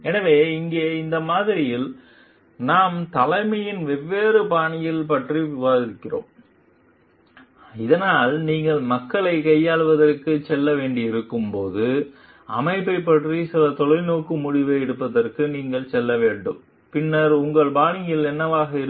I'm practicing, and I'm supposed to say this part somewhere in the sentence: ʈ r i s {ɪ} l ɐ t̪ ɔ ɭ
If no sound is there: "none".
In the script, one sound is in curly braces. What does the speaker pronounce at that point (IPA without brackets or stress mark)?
ɪ